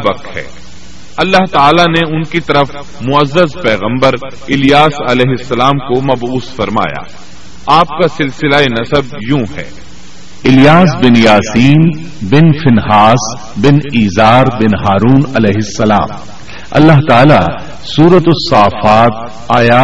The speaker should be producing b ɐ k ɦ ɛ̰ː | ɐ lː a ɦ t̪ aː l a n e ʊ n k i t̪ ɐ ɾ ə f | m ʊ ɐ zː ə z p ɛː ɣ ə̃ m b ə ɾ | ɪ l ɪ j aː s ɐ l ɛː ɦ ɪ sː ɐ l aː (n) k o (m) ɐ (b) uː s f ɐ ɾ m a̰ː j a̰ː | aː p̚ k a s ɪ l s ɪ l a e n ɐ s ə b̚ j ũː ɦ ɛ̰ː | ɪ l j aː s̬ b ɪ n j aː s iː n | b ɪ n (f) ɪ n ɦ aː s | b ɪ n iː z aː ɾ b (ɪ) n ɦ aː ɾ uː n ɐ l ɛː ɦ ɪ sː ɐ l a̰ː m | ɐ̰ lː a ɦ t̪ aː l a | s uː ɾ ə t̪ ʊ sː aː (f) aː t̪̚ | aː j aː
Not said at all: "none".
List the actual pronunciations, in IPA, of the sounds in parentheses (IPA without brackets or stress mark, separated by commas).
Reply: m, m, b, f, ɪ, f